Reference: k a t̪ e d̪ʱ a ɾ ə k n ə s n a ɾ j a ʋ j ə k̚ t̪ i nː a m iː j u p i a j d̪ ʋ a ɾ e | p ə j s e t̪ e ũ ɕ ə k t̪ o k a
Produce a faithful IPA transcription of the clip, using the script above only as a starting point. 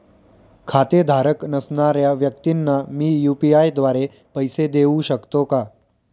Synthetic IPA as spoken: kʰ a t̪ e d̪ʱ a ɾ ə k n ə s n a ɾ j a ʋ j ə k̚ t̪ i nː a m iː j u p i a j d̪ ʋ a ɾ e | p ə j s e d̪ e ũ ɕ ə k t̪ o k a